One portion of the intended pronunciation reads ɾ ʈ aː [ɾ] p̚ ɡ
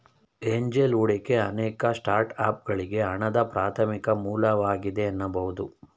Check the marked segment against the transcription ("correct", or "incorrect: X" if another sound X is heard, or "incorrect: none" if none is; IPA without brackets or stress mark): incorrect: none